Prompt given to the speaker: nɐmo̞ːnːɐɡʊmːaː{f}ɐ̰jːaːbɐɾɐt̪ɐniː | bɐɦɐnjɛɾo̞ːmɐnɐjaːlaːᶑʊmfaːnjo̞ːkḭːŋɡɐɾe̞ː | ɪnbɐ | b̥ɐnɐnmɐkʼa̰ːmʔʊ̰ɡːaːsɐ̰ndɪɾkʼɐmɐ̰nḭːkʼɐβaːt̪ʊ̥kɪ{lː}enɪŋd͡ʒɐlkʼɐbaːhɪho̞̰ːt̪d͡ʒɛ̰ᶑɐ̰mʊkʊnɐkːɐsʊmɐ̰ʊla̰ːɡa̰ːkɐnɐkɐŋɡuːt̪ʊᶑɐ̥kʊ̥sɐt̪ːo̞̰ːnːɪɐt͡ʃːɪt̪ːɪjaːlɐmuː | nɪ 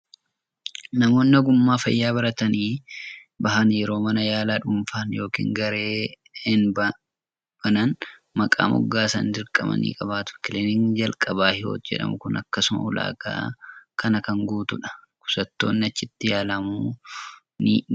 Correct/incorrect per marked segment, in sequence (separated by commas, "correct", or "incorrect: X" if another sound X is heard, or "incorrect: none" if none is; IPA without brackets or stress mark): correct, incorrect: l